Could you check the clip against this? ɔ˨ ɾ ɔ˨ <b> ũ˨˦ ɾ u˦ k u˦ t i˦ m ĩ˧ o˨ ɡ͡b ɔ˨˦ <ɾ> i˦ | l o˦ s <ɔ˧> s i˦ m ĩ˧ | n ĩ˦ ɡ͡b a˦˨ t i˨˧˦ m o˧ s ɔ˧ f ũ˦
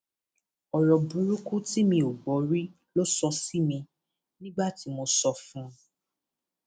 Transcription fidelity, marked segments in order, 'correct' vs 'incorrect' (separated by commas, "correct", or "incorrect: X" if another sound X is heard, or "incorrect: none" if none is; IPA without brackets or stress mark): correct, correct, correct